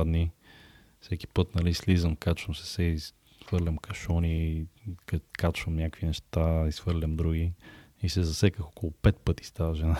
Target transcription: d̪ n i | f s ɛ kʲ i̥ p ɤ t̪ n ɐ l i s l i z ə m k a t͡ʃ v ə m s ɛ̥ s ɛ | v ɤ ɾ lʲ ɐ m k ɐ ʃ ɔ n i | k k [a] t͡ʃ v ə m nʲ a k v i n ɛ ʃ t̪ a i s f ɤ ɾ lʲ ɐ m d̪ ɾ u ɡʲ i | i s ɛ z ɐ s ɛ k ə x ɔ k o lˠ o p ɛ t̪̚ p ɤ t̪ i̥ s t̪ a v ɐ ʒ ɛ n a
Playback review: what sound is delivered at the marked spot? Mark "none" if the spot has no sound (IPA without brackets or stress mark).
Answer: a